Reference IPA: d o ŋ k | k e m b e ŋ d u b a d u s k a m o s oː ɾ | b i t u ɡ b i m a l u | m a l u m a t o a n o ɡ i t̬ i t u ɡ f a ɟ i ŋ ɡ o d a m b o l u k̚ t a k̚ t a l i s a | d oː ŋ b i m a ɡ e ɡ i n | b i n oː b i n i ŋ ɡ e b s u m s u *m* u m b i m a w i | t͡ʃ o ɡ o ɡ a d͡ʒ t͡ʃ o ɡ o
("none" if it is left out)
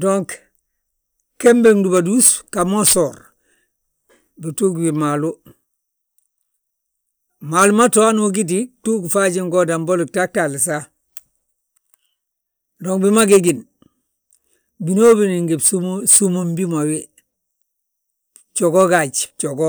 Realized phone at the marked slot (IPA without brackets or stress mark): m